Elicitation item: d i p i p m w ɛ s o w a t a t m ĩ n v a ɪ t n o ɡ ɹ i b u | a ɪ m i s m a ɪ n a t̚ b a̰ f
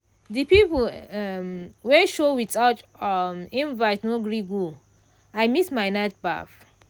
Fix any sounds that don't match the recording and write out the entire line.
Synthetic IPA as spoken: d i p i p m w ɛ ʃ o w i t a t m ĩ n v a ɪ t n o ɡ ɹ i ɡ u | a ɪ m i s m a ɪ n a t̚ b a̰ f

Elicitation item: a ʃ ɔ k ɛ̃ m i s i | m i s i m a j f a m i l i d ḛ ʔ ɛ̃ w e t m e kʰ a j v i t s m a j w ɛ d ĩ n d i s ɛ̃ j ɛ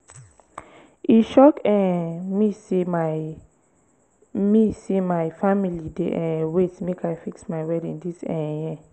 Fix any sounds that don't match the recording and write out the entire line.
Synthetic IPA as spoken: i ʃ ɔ k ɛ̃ m i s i | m i s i m a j f a m i l i d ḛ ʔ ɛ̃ w e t m e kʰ a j f i k s m a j w ɛ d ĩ n d i s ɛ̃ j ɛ

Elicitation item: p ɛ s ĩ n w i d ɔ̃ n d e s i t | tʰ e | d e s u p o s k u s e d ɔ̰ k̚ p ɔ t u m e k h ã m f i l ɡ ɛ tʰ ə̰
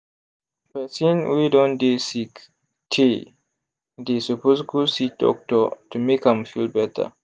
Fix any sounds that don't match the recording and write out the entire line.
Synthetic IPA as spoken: p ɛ s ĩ n w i d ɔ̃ n d e s i k | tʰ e | d e s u p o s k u s i d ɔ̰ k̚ t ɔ t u m e k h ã m f i l b ɛ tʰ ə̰

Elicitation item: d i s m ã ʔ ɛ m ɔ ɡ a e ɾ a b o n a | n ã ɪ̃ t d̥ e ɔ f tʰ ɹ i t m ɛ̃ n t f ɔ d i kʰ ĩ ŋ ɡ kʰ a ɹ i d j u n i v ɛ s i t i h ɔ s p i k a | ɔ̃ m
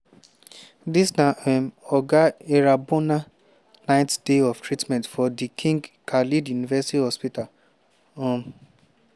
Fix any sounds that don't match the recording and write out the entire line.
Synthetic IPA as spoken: d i s n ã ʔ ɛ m ɔ ɡ a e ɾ a b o n a | n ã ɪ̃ t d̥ e ɔ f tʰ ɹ i t m ɛ̃ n t f ɔ d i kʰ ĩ ŋ ɡ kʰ a l i d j u n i v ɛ s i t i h ɔ s p i t a | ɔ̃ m

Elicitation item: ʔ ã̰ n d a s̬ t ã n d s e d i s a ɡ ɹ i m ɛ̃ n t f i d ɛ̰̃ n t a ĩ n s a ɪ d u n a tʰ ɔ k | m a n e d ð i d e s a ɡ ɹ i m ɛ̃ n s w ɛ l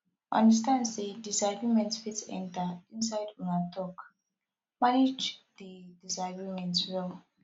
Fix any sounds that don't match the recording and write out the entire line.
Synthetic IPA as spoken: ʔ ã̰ n d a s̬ t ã n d s e d i s a ɡ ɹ i m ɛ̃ n t f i t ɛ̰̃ n t a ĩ n s a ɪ d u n a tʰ ɔ k | m a n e d͡ʒ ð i d i s a ɡ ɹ i m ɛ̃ n t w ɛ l

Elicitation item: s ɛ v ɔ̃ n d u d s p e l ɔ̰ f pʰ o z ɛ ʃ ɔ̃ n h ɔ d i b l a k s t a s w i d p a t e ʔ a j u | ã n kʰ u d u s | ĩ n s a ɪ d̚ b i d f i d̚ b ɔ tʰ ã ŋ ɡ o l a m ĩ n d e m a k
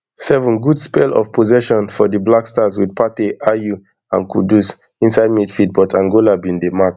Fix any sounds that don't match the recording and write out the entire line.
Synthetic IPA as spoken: s ɛ v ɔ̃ n ɡ u d s p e l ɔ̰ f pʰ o z ɛ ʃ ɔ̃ n f ɔ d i b l a k s t a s w i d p a t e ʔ a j u | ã n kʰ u d u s | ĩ n s a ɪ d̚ m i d f i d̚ b ɔ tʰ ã ŋ ɡ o l a b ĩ n d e m a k

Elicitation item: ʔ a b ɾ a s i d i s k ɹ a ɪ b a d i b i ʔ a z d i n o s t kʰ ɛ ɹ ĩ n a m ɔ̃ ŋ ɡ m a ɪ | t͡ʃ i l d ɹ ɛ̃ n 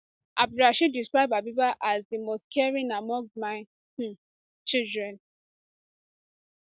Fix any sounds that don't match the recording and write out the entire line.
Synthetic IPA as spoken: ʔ a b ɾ a ʃ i d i s k ɹ a ɪ b a b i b a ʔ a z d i m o s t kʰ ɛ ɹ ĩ n a m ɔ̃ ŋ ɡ m a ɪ | t͡ʃ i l d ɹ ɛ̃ n

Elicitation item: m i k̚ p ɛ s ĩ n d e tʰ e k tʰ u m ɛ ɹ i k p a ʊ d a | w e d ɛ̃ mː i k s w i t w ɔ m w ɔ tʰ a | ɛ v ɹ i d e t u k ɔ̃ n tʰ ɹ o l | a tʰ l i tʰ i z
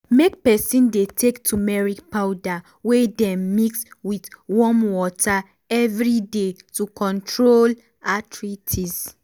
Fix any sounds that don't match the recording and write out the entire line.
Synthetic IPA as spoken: m e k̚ p ɛ s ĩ n d e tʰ e k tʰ u m ɛ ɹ i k p a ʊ d a | w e d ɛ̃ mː i k s w i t w ɔ m w ɔ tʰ a | ɛ v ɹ i d e t u k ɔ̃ n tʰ ɹ o l | a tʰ ɹ i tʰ i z

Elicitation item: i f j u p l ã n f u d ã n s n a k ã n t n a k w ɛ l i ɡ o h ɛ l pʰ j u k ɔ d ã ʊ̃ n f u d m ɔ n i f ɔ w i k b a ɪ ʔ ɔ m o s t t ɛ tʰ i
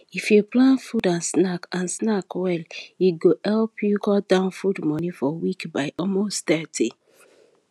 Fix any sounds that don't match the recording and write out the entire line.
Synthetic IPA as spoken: i f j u p l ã n f u d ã n s n a k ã n s n a k w ɛ l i ɡ o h ɛ l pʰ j u k ɔ d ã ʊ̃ n f u d m ɔ n i f ɔ w i k b a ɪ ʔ ɔ m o s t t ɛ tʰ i

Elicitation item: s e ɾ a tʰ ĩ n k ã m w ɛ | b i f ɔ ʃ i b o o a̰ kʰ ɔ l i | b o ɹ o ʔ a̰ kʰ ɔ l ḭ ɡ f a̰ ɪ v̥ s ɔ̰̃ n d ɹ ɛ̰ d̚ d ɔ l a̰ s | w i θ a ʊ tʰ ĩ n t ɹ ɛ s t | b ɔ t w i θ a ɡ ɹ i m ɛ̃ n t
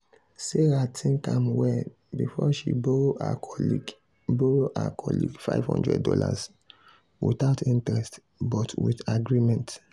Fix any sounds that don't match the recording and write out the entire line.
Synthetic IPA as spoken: s e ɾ a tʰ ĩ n k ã m w ɛ | b i f ɔ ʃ i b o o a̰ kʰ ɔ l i | b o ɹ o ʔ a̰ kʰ ɔ l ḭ ɡ f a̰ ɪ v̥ h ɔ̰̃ n d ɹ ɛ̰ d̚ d ɔ l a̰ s | w i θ a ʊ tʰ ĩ n t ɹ ɛ s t | b ɔ t w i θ a ɡ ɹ i m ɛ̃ n t

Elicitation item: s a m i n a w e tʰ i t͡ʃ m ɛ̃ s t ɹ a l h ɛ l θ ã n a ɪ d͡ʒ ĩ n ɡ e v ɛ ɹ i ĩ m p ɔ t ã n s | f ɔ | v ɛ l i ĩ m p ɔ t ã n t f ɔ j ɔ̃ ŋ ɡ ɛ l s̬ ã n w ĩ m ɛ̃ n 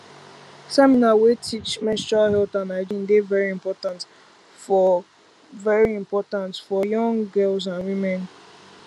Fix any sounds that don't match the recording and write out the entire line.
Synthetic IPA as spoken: s ɛ m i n a w e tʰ i t͡ʃ m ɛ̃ s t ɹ a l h ɛ l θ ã n a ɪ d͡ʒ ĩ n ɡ e v ɛ ɹ i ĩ m p ɔ t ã n t | f ɔ | v ɛ ɹ i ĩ m p ɔ t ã n t f ɔ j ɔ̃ ŋ ɡ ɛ l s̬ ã n w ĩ m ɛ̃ n

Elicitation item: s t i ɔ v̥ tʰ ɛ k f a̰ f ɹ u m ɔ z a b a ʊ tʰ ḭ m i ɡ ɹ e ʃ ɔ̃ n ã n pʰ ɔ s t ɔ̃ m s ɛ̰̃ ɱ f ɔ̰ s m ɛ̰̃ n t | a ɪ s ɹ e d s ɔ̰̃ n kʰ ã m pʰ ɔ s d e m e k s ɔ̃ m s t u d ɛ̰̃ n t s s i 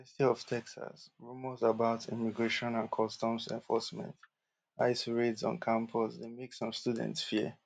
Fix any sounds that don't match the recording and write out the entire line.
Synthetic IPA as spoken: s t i ɔ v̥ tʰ ɛ k s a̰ s ɹ u m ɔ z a b a ʊ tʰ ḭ m i ɡ ɹ e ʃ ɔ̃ n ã n kʰ ɔ s t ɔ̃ m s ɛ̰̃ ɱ f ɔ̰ s m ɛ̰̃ n t | a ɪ s ɹ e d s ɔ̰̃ n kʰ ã m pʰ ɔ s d e m e k s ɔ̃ m s t u d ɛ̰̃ n t s f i

